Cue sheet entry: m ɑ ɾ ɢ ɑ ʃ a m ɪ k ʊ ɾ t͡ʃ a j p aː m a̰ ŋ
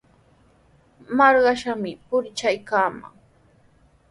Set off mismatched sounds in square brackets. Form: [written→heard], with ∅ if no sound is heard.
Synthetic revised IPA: m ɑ ɾ ɢ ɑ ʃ a m ɪ [k→p] ʊ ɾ t͡ʃ a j [p→k] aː m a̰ ŋ